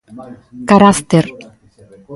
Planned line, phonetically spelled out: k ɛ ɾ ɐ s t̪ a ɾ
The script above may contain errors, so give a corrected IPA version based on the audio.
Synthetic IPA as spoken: k a ɾ a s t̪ e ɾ